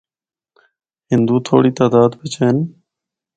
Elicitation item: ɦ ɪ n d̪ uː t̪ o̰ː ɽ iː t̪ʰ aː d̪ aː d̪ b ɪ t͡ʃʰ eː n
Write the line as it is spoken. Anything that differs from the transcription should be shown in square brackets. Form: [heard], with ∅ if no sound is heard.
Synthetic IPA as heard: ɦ ɪ n d̪ uː [t̪ʰ] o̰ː ɽ iː [t̪] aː d̪ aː d̪ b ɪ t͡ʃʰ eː n